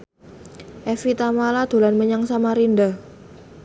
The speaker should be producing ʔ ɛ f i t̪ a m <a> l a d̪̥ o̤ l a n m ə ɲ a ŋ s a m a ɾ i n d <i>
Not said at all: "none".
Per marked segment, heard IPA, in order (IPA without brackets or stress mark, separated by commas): a, a